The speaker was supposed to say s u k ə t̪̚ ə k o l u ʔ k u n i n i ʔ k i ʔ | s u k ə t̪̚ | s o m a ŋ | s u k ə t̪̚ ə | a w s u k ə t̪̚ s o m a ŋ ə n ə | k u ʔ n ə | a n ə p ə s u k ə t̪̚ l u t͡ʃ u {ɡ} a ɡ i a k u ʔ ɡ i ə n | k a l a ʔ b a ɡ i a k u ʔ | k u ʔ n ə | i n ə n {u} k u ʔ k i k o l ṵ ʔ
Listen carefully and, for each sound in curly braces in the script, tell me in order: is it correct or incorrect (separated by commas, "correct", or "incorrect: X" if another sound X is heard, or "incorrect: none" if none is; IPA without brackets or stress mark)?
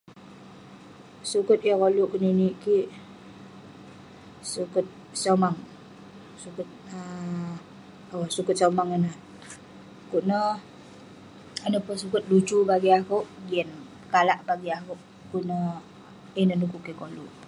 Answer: incorrect: b, correct